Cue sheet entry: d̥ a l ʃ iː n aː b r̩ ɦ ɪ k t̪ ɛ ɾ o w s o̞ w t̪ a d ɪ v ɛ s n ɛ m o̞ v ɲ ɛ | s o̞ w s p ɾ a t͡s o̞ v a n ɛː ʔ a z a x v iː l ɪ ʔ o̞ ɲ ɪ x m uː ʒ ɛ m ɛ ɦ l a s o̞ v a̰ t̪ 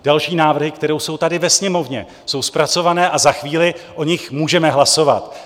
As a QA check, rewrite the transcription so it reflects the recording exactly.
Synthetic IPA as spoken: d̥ a l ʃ iː n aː v r̩ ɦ ɪ k t̪ ɛ ɾ o w s o̞ w t̪ a d ɪ v ɛ s ɲ ɛ m o̞ v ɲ ɛ | s o̞ w s p ɾ a t͡s o̞ v a n ɛː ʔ a z a x v iː l ɪ ʔ o̞ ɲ ɪ x m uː ʒ ɛ m ɛ ɦ l a s o̞ v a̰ t̪